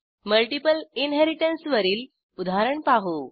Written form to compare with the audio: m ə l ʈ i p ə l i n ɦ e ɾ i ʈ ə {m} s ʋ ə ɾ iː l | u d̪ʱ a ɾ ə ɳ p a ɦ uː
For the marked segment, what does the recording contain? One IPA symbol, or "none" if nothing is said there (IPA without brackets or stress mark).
n